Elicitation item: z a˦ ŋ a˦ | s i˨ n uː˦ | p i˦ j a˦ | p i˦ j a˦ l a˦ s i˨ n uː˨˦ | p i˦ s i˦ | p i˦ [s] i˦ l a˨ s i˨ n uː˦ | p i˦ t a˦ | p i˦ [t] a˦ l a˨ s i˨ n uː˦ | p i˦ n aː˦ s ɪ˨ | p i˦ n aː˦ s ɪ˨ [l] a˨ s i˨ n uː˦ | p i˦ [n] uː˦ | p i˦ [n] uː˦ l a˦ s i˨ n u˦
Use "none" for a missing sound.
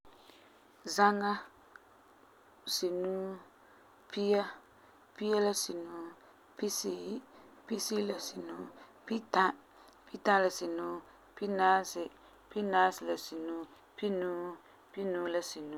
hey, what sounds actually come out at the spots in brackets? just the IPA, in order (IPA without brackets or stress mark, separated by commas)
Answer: s, t, l, n, n